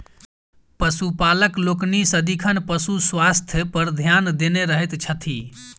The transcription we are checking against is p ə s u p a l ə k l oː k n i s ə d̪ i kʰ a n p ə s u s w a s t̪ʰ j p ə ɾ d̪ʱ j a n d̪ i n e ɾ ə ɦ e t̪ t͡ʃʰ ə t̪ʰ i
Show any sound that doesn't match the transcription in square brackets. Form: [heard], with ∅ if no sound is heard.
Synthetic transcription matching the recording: p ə s u p a l ə k l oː k n i s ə d̪ i kʰ [ə] n p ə s u s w a s t̪ʰ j p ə ɾ d̪ʱ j a n d̪ [e] n e ɾ ə ɦ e t̪ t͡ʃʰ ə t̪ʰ i